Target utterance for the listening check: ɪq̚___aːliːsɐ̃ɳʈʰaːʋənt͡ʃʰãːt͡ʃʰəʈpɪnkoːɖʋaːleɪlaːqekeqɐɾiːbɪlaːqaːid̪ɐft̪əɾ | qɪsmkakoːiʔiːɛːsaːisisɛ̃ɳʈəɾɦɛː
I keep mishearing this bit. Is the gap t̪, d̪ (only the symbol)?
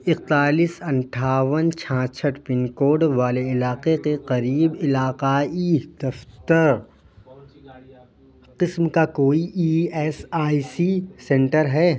t̪